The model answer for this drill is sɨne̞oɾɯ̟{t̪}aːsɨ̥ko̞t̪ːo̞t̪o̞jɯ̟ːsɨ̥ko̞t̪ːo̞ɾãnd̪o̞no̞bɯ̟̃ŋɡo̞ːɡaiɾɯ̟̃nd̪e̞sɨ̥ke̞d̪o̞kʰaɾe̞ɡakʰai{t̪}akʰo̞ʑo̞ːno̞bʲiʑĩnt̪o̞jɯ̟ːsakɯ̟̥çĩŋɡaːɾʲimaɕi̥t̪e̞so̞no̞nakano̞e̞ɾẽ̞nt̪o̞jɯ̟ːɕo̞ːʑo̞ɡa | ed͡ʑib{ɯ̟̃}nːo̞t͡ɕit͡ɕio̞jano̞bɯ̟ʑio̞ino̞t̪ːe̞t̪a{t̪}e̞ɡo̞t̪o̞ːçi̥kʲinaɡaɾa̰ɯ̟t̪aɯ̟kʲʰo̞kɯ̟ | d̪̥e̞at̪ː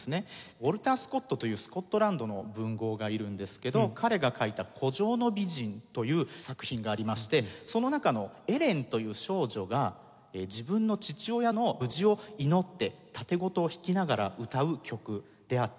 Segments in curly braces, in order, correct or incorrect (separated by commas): correct, correct, correct, correct